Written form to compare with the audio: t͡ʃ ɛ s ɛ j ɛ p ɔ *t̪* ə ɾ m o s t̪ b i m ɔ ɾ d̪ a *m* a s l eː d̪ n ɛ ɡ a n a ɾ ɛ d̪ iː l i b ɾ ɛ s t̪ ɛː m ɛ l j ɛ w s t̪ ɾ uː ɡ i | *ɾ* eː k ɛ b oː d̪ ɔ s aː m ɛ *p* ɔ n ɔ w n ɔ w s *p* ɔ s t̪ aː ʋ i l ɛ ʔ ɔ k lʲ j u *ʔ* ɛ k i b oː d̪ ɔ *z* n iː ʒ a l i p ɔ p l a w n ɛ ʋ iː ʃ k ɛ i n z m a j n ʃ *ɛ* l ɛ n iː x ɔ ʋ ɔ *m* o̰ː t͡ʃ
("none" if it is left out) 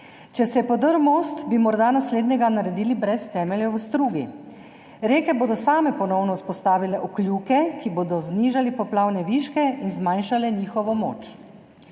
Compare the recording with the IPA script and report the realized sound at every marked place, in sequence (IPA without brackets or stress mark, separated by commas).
d̪, n, ɾ, p, p, k, z, a, m